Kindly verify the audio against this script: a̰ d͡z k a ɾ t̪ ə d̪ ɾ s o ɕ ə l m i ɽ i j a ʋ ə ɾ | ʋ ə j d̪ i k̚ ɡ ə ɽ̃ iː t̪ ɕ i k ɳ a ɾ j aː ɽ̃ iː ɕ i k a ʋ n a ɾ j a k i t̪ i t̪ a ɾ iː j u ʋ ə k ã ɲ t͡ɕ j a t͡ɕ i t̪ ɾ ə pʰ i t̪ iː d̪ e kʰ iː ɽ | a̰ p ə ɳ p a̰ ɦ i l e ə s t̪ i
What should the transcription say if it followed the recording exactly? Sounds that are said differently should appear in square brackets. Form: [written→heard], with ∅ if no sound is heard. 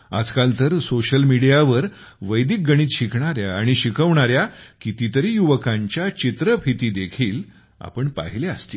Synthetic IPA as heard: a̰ d͡z k a [ɾ→l] t̪ ə [d̪→∅] ɾ s o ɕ ə l m i ɽ i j a ʋ ə ɾ | ʋ ə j d̪ i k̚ ɡ ə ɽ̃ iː t̪ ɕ i k ɳ a ɾ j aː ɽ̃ [iː→i] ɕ i k [a→ə] ʋ [n→ɳ] a ɾ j a k i t̪ i t̪ [a→ə] ɾ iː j u ʋ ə k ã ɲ t͡ɕ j a t͡ɕ i t̪ ɾ ə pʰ i t̪ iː d̪ e kʰ iː [ɽ→l] | a̰ p ə ɳ p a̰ ɦ i l e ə s t̪ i

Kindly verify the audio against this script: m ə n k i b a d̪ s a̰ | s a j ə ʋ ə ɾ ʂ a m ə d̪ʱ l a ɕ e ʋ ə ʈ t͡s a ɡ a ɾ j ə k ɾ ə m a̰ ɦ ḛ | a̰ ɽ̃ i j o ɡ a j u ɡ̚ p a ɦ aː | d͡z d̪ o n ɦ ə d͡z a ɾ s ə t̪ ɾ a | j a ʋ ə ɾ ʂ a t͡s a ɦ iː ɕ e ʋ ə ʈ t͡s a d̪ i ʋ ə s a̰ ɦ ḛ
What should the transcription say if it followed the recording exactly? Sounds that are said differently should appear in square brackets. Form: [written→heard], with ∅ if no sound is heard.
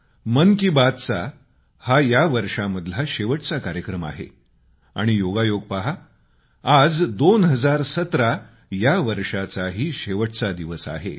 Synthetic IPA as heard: m ə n k i b a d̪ [s→t͡s] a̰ | [s→h] a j [ə→a] ʋ ə ɾ ʂ a m ə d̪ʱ l a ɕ e ʋ ə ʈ t͡s a [ɡ→k] a ɾ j ə k ɾ ə m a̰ ɦ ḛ | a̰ ɽ̃ i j o ɡ a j [u→o] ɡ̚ p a ɦ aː | d͡z d̪ o n ɦ ə d͡z a ɾ s ə t̪ ɾ a | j a ʋ ə ɾ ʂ a t͡s a ɦ iː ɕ e ʋ ə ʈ t͡s a d̪ i ʋ ə s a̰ ɦ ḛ

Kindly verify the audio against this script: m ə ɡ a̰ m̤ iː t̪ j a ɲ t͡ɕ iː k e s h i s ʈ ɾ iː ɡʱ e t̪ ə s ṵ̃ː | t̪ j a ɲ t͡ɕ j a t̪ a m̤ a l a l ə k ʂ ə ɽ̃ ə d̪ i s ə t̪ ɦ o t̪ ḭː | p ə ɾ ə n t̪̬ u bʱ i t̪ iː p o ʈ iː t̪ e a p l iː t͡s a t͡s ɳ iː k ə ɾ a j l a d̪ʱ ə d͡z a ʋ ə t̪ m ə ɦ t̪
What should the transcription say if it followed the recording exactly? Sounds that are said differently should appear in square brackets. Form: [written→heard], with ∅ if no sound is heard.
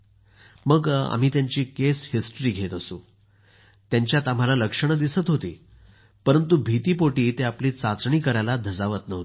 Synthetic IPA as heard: m ə ɡ a̰ m̤ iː t̪ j a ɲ t͡ɕ iː k e s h i s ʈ ɾ iː ɡʱ e t̪ ə s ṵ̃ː | t̪ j a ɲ t͡ɕ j a t̪ a m̤ a l a l ə k ʂ ə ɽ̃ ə d̪ i s ə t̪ ɦ o t̪ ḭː | p ə ɾ ə n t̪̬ u bʱ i t̪ iː p o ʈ iː t̪ e a p l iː t͡s a t͡s ɳ iː k ə ɾ a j l a d̪ʱ ə d͡z a ʋ ə t̪ [m→n] ə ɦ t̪

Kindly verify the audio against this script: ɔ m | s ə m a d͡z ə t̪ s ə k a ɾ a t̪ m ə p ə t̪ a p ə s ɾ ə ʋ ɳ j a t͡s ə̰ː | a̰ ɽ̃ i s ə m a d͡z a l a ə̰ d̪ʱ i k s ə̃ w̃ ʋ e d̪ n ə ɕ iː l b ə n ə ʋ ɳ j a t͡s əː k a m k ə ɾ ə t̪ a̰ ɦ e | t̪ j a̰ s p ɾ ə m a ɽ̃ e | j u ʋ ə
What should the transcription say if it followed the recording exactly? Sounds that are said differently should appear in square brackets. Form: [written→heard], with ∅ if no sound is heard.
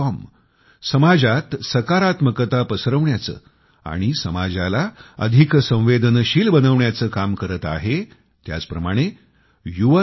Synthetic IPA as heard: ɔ m | s ə m a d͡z [ə→a] t̪ s ə k a ɾ a t̪ m ə [p→k] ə t̪ a p ə s ɾ ə ʋ ɳ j a t͡s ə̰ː | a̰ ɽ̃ i s ə m a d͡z a l a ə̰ d̪ʱ i k s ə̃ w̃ ʋ e d̪ n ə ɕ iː l b ə n ə ʋ ɳ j a t͡s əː k a m k ə ɾ ə t̪ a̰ ɦ e | t̪ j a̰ [s→t͡s] p ɾ ə m a ɽ̃ e | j u ʋ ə

